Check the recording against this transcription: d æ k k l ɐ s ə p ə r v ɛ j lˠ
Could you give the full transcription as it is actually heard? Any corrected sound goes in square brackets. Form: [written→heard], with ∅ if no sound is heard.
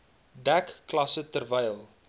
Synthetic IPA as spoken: d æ k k l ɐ s ə [p→t] ə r v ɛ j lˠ